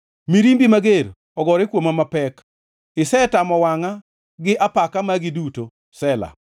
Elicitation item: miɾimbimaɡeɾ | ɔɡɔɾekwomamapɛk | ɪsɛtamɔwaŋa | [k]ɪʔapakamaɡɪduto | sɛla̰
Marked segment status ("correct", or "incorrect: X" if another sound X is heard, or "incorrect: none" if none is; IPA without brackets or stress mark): incorrect: ɡ